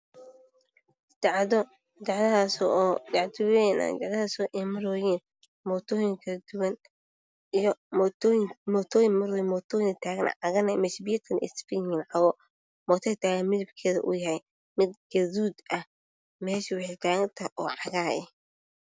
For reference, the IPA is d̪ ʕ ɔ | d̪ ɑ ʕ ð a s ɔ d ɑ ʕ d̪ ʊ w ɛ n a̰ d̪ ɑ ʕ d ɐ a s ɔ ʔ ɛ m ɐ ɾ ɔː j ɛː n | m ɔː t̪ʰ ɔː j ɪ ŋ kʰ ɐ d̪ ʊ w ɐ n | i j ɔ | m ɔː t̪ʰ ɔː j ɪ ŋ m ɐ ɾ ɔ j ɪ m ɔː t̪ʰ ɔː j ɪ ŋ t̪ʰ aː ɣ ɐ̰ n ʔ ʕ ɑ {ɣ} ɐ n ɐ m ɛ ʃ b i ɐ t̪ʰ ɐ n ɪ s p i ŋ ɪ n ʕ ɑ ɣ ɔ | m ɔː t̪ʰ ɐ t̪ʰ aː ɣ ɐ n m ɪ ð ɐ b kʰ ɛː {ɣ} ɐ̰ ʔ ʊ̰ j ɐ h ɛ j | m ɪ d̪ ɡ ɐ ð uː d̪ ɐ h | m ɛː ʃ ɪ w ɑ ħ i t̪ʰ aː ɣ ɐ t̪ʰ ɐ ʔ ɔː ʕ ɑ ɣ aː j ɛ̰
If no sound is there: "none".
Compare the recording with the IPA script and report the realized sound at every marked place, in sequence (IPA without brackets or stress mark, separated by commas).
ɣ, ð